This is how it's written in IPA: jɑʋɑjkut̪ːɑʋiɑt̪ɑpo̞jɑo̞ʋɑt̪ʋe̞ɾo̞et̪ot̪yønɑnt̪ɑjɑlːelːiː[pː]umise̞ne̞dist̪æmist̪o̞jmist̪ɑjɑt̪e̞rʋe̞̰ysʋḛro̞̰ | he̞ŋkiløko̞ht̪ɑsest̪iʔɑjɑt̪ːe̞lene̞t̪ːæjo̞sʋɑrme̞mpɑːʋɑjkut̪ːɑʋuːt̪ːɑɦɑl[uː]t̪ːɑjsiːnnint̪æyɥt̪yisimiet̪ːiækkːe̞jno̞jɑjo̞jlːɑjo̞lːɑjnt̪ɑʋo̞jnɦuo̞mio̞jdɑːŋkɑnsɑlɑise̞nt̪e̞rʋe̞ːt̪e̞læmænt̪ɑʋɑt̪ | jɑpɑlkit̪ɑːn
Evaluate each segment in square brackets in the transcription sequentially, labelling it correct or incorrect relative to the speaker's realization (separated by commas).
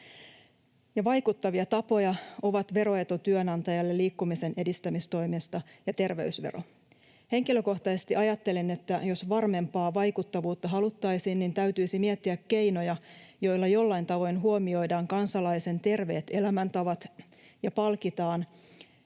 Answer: incorrect, incorrect